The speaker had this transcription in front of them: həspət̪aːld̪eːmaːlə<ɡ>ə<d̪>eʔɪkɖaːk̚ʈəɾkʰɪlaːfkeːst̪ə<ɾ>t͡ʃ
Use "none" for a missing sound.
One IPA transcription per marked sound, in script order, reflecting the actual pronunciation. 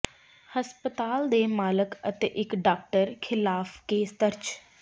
k, t̪, ɾ

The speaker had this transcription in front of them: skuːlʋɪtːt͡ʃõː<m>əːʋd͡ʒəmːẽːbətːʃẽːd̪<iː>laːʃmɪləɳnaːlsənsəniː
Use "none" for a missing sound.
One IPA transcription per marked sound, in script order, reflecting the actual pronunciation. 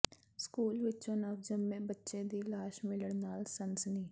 n, iː

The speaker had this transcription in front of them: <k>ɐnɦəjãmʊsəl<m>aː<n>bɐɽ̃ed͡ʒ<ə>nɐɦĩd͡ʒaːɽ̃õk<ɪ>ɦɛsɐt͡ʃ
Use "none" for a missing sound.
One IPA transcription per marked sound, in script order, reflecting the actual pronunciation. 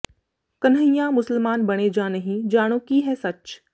k, m, n, a, i

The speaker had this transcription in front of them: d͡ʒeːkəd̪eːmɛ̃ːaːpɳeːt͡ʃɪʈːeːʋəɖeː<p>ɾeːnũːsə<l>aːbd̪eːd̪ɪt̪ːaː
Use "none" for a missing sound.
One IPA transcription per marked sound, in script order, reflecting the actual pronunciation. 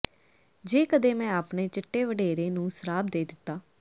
none, ɾ

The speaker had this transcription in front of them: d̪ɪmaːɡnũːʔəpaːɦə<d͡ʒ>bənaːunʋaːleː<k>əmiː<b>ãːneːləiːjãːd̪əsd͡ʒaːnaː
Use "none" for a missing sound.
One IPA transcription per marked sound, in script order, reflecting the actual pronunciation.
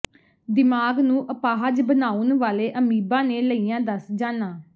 d͡ʒ, ʔ, b

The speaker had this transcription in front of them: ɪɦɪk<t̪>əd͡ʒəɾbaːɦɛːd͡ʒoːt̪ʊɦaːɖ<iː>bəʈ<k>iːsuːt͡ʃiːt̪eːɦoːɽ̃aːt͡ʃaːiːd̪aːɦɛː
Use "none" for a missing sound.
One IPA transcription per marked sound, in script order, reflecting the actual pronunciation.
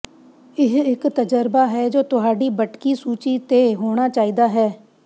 t̪, iː, k

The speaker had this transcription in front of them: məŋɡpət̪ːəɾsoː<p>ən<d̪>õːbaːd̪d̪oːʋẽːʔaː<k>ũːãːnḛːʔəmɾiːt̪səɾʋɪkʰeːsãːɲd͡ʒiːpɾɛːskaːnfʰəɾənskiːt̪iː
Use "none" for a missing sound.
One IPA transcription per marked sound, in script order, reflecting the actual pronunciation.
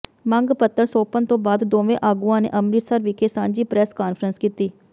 p, t̪, ɡ

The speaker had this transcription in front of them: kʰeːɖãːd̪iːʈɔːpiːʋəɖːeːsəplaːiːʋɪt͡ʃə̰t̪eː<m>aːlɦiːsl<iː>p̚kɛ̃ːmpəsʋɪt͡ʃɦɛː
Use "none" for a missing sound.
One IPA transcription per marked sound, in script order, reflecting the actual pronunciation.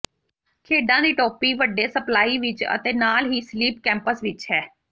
n, iː

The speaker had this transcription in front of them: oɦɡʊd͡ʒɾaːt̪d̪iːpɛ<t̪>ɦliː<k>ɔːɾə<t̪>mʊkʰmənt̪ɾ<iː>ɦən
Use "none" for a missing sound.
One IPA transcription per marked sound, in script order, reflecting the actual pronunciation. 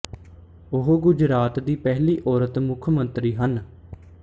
none, ʔ, t̪, iː

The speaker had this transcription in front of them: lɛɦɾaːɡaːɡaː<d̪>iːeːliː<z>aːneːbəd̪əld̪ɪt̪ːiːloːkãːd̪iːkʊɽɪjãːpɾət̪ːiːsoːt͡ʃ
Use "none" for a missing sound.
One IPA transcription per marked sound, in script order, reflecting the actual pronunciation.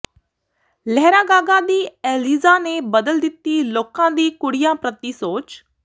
d̪, z

